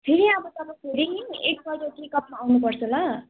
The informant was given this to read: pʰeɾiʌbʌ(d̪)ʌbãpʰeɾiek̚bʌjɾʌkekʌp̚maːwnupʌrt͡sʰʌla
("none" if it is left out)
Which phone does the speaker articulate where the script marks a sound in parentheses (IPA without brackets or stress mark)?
t̪